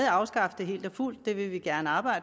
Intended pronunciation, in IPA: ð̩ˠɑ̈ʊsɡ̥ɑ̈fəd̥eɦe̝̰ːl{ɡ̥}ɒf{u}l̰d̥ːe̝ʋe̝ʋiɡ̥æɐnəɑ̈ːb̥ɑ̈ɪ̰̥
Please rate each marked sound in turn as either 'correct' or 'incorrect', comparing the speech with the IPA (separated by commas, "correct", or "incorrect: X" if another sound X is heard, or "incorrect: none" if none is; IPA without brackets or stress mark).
incorrect: d̥, correct